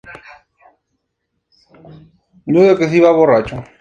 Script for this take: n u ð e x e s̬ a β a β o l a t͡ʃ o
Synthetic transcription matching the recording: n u ð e k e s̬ i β a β o r a t͡ʃ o